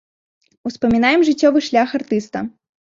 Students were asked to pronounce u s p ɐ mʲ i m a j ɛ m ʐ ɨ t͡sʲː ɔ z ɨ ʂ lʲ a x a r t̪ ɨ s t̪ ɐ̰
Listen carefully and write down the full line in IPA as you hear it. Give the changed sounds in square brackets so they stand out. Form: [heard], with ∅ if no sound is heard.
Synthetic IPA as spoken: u s p ɐ mʲ i [n] a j ɛ m ʐ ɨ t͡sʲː ɔ [v] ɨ ʂ lʲ a x a r t̪ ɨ s t̪ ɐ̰